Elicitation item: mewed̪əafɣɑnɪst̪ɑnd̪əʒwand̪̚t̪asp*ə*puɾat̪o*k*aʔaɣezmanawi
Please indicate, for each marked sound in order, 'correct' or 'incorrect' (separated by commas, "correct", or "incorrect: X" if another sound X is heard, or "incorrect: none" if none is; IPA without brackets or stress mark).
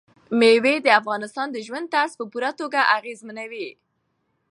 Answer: correct, incorrect: ɡ